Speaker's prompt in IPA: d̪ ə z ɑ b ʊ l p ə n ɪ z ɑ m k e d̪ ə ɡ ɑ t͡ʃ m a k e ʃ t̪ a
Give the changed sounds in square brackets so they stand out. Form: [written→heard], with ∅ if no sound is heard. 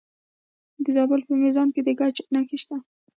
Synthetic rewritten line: d̪ ə z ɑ b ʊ l p ə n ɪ z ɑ m k e d̪ ə ɡ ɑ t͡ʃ [m→n] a [k→x] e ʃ t̪ a